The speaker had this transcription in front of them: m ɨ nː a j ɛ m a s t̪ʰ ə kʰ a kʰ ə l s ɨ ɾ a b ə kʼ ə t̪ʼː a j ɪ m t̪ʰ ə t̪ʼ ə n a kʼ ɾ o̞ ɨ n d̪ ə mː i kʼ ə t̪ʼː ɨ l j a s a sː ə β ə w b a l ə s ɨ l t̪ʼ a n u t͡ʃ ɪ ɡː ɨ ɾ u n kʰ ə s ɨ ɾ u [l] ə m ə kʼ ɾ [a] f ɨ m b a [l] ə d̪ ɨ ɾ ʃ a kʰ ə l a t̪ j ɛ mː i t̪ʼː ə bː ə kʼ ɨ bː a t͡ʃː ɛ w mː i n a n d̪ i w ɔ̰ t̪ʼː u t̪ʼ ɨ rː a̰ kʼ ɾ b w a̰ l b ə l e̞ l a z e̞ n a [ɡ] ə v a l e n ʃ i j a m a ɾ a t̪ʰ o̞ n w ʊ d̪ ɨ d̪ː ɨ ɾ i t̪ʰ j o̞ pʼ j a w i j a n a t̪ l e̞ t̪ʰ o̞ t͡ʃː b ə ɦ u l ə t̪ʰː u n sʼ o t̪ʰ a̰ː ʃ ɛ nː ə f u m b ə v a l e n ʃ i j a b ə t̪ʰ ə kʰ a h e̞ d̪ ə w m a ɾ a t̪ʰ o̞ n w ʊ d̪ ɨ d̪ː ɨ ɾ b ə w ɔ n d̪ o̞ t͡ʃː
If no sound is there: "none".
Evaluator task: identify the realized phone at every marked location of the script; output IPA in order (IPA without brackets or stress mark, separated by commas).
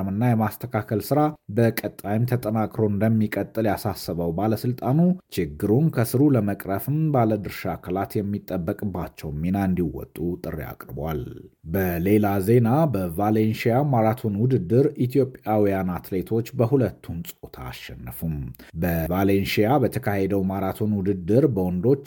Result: l, ə, l, b